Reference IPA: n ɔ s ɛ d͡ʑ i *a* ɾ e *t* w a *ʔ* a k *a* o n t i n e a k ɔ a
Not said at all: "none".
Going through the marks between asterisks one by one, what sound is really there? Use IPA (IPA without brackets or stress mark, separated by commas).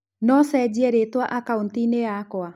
ɛ, t, ʔ, a